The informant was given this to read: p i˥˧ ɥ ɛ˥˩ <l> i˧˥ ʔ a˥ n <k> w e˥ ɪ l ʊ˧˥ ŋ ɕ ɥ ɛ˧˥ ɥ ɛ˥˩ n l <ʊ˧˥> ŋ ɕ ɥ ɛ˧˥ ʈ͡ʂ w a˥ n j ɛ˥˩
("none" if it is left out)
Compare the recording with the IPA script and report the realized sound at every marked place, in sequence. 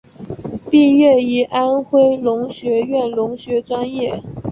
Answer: none, x, ʊ˧˥

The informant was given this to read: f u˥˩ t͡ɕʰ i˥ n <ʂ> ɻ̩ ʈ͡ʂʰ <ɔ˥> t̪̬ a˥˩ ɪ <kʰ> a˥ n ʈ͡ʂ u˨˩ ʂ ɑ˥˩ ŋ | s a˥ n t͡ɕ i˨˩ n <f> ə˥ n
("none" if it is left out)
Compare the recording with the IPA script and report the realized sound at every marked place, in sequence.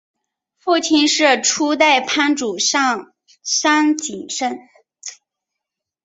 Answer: ʂ, u˥, pʰ, ʂ

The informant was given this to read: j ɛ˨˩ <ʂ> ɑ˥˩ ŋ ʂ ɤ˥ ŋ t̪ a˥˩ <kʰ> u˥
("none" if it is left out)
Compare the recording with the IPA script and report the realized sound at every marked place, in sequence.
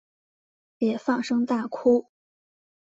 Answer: f, kʰ

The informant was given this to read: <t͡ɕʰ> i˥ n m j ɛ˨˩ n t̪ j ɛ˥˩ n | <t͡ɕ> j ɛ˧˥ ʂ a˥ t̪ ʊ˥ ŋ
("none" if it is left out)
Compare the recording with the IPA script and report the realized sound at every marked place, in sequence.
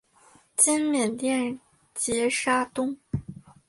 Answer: t͡ɕ, t͡ɕ

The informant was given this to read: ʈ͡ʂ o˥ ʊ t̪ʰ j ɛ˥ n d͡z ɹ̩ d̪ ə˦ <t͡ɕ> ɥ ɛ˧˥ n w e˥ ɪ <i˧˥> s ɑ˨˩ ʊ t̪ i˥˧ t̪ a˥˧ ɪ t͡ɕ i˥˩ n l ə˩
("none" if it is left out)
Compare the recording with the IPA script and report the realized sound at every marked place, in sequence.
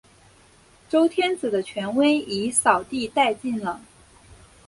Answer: t͡ɕʰ, i˧˥

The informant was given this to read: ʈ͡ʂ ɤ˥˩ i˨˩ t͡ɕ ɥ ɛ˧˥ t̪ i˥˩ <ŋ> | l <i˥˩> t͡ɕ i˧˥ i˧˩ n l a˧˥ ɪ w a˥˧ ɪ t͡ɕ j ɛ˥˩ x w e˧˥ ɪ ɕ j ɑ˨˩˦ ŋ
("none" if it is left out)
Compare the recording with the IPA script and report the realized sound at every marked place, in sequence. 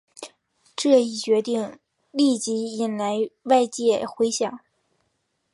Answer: ŋ, i˥˩

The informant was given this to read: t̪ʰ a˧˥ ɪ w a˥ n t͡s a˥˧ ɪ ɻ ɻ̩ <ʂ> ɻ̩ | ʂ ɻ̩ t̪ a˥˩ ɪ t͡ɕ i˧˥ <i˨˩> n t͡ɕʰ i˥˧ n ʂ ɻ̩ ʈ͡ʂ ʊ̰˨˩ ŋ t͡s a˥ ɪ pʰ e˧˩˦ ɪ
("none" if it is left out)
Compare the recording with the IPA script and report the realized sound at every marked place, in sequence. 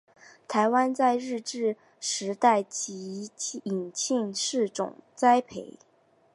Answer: ʈ͡ʂ, i˨˩

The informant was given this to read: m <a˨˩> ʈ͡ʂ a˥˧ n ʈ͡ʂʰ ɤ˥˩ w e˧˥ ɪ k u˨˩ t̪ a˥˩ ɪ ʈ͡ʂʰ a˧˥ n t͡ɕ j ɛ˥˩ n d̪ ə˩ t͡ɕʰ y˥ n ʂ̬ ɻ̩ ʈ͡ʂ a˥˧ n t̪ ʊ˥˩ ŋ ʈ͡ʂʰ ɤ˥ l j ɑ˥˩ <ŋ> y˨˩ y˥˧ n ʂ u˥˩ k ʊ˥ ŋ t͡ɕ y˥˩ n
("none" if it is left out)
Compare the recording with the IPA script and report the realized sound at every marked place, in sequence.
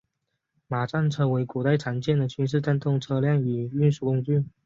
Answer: a˨˩, ŋ

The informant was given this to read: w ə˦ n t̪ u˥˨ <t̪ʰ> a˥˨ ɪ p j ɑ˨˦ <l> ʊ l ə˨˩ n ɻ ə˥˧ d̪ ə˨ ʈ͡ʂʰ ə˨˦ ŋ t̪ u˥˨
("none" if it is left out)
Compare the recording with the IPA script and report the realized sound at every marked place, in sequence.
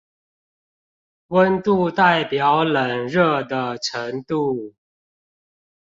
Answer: t̪, none

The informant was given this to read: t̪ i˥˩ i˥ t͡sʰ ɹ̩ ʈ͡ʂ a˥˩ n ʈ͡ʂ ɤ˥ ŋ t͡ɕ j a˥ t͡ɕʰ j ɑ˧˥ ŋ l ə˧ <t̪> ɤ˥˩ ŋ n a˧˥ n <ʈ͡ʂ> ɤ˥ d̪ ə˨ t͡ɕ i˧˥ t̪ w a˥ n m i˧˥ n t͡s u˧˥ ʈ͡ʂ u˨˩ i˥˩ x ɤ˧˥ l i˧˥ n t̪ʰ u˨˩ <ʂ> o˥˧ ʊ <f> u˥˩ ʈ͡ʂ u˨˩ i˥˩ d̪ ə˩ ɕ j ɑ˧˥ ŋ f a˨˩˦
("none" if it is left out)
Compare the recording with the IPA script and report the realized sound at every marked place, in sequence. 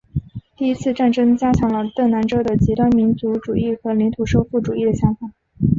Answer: t̪, ʈ͡ʂ, ʂ, f

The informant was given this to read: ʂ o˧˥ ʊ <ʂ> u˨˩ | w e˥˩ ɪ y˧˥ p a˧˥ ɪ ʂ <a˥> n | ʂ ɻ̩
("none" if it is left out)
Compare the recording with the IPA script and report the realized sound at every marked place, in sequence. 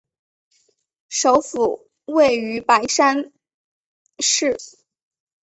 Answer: f, a˥

